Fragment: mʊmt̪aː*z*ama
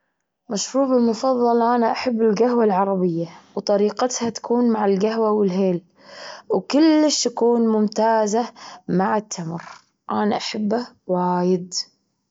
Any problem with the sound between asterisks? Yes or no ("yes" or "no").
no